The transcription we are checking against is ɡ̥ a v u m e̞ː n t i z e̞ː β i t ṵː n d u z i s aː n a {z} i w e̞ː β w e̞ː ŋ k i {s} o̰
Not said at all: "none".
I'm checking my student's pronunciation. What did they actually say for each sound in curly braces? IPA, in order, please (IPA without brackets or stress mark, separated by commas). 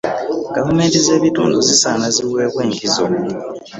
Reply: z, z